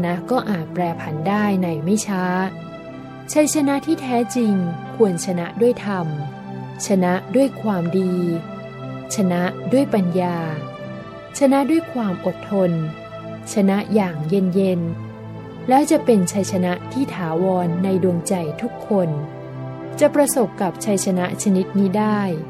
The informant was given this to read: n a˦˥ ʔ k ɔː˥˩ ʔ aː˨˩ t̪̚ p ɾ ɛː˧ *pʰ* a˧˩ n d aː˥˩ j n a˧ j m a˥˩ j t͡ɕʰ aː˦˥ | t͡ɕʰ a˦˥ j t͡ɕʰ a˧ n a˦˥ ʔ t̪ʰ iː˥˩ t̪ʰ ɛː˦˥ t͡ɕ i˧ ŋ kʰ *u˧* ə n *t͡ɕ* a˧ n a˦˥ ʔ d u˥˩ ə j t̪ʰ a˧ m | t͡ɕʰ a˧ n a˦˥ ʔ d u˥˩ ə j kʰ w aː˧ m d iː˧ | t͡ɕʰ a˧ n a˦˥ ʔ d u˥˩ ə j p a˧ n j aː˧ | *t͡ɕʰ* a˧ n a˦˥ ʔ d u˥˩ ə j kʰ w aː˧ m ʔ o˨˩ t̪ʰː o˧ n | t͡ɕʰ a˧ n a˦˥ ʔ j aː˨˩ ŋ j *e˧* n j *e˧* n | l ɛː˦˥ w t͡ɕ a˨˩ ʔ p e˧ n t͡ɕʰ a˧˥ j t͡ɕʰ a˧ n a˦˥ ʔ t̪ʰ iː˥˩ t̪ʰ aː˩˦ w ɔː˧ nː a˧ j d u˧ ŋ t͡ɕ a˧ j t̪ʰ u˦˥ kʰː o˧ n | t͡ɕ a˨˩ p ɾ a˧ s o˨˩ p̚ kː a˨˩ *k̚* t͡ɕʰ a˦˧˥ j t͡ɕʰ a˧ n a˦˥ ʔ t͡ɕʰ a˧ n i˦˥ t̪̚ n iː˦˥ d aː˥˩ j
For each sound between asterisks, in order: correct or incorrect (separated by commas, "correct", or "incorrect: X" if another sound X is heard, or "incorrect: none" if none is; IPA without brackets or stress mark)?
correct, correct, incorrect: t͡ɕʰ, correct, correct, correct, incorrect: p̚